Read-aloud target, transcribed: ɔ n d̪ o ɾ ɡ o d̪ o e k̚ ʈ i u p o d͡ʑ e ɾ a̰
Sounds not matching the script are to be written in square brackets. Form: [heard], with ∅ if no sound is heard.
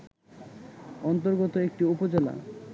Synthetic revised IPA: ɔ n [t̪] o ɾ ɡ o [t̪] o e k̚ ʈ i u p o d͡ʑ e [l] a̰